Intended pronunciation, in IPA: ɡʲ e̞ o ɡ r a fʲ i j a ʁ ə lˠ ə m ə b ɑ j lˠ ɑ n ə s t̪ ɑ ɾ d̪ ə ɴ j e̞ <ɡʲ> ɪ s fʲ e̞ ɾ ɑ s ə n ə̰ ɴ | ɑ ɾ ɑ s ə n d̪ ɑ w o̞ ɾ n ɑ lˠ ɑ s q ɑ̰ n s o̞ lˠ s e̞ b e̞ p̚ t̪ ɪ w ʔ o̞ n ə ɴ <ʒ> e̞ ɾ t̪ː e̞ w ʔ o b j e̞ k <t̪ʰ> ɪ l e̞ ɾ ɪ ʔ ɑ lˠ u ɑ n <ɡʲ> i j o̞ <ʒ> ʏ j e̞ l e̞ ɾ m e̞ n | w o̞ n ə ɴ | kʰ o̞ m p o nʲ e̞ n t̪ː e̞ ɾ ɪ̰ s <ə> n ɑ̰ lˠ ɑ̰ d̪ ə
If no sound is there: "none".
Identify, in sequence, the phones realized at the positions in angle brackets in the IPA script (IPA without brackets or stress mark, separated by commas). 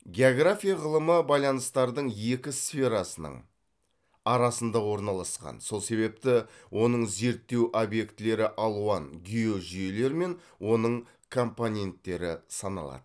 kʲ, z, t̪, ɡʲ, ʒ, ɑ